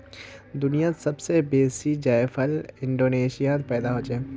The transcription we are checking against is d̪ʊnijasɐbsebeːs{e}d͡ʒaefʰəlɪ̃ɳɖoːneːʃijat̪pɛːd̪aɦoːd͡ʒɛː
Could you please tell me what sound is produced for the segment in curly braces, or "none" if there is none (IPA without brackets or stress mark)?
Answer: i